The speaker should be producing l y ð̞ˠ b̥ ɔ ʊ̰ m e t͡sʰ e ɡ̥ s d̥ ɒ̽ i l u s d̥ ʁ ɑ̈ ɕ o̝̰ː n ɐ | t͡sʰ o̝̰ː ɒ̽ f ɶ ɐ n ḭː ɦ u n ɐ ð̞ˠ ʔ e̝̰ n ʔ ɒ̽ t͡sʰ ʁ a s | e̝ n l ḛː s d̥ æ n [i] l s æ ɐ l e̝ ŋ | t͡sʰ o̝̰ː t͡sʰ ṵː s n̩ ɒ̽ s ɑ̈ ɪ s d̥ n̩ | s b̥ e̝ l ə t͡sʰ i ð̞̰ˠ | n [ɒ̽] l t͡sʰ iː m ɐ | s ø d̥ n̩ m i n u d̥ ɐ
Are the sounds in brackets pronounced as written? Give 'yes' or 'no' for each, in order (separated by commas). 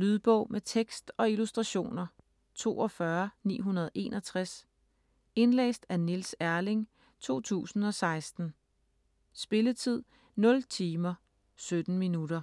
yes, no